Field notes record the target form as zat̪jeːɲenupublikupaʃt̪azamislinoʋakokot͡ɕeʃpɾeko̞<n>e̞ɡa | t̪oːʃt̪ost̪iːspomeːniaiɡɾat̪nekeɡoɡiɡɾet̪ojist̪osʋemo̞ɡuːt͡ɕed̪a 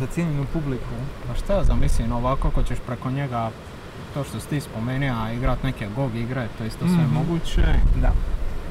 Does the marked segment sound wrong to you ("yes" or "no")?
yes